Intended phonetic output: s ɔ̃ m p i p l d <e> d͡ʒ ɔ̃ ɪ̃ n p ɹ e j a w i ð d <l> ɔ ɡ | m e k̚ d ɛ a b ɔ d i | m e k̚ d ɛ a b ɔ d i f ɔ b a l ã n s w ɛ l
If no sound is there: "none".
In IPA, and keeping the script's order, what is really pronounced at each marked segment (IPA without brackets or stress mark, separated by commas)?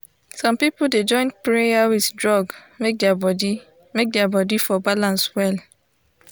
e, ɹ